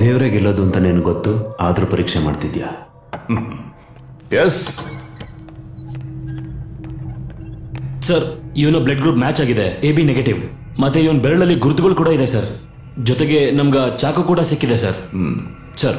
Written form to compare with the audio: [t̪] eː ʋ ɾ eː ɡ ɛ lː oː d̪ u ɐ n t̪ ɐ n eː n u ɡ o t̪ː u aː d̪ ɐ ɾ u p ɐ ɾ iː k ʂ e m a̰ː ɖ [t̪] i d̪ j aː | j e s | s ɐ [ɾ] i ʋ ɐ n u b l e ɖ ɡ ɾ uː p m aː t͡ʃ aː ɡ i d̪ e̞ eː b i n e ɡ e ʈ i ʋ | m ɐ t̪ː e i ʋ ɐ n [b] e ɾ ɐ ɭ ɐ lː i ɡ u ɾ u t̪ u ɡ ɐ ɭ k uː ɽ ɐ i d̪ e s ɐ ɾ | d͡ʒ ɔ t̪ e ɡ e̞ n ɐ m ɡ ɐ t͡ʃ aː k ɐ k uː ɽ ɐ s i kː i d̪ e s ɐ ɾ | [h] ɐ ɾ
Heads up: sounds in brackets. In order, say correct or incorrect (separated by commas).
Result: incorrect, correct, correct, correct, incorrect